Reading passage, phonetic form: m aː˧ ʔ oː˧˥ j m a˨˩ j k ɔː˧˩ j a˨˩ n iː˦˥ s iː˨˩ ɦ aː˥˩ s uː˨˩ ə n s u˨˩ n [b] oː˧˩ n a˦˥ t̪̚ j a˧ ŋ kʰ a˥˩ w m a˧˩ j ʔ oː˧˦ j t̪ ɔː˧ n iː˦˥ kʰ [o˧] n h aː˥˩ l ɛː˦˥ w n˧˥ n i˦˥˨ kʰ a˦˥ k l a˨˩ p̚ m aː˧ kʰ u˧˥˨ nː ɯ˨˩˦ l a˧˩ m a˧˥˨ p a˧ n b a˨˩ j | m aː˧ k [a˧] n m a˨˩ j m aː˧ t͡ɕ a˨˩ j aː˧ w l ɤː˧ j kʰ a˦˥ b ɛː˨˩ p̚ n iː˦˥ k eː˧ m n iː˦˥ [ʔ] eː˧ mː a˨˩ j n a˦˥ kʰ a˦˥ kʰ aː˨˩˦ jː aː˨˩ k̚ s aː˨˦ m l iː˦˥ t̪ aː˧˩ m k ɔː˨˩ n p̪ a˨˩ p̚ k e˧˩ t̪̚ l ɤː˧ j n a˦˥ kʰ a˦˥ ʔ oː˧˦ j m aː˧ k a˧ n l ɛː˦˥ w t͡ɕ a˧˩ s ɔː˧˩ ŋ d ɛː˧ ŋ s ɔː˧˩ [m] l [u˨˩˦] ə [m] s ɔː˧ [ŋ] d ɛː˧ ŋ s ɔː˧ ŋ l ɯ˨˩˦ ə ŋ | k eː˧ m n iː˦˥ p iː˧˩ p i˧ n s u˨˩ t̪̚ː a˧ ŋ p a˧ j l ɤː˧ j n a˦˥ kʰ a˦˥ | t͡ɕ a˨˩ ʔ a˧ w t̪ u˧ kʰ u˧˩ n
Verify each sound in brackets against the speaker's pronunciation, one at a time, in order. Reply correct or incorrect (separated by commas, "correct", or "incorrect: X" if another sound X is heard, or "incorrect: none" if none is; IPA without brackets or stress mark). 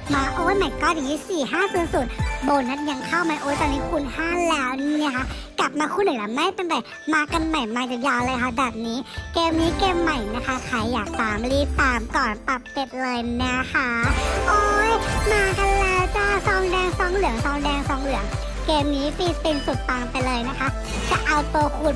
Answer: correct, incorrect: u˧, correct, incorrect: k, incorrect: ŋ, incorrect: ɯ˨˩˦, incorrect: ŋ, correct